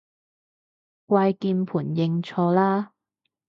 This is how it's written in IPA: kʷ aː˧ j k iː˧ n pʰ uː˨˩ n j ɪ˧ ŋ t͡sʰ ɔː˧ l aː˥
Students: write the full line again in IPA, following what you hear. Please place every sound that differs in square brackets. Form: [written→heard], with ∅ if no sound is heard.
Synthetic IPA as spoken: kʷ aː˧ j k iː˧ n pʰ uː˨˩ n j ɪ˧ ŋ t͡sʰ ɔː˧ l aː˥